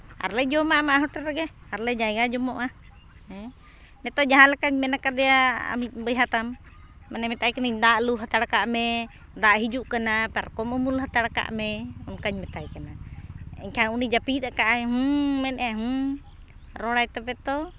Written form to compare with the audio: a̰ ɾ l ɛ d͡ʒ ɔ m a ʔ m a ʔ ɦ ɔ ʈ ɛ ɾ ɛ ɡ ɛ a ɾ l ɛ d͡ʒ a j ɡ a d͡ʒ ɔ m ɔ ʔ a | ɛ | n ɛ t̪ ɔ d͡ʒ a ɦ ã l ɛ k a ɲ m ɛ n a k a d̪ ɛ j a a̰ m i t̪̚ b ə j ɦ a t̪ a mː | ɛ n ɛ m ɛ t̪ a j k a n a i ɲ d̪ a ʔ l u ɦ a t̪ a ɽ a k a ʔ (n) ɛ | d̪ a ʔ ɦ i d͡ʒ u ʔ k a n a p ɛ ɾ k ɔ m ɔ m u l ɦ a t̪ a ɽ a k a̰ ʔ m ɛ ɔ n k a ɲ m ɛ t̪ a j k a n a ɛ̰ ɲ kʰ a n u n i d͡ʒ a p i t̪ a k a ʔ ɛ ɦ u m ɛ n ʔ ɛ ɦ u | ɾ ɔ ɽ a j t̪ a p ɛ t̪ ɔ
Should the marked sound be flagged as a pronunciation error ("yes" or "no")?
yes